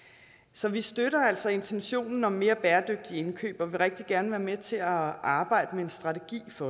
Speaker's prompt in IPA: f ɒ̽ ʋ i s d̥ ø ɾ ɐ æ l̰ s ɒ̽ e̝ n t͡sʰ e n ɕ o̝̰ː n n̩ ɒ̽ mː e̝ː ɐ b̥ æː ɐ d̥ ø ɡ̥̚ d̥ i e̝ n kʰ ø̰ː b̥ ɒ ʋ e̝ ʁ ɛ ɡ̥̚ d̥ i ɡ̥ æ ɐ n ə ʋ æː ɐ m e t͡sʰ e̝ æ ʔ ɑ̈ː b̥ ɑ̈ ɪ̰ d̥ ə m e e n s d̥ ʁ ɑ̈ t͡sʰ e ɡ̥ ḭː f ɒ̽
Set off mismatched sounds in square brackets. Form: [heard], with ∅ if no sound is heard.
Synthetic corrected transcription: [s] ɒ̽ ʋ i s d̥ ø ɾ ɐ æ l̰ s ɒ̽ e̝ n t͡sʰ e n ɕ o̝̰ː n n̩ ɒ̽ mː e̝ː ɐ b̥ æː ɐ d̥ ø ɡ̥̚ d̥ i e̝ n kʰ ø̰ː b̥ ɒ ʋ e̝ ʁ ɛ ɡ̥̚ d̥ i ɡ̥ æ ɐ n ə ʋ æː ɐ m e t͡sʰ e̝ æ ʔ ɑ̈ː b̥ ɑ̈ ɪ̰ d̥ ə m e e n s d̥ ʁ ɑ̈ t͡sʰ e ɡ̥ ḭː f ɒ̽